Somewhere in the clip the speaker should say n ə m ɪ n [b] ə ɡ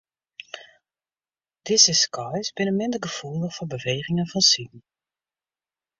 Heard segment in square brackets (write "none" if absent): d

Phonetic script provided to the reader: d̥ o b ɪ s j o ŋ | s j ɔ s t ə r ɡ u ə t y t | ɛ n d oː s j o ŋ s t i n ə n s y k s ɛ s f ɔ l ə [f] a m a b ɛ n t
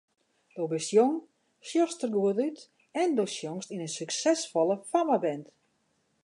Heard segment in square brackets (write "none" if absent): f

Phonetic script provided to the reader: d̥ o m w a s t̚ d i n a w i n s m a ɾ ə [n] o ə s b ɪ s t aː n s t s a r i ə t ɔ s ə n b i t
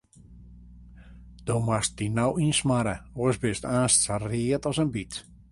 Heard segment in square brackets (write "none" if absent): none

